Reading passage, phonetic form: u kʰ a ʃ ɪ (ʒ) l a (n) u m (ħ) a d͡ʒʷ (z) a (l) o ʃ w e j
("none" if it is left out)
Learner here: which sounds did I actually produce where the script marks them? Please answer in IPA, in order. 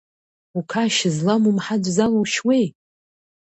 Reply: z, m, ħ, z, l

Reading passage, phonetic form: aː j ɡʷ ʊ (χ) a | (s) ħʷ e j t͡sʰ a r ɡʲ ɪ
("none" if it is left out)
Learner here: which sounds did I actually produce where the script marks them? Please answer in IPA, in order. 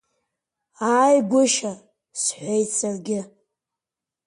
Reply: ʃ, s

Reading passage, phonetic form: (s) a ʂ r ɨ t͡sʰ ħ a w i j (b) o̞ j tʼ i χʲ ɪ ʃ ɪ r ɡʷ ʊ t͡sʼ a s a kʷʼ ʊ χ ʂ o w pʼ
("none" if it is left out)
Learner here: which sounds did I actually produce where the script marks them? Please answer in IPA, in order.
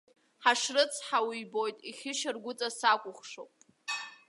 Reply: ħ, b

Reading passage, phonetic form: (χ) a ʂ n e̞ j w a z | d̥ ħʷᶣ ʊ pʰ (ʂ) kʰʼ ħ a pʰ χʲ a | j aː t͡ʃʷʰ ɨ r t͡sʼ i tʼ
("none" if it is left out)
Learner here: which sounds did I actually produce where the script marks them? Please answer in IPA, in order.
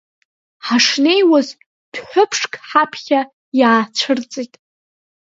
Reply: ħ, ʂ

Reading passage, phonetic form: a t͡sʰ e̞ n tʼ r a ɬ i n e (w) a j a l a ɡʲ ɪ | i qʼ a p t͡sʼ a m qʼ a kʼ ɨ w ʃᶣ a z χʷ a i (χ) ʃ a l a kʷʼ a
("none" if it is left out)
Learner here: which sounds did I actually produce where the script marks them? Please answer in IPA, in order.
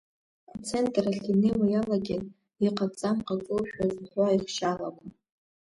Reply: w, χ

